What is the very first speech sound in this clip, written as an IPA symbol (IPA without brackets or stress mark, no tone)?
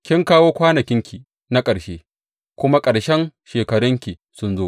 kʲ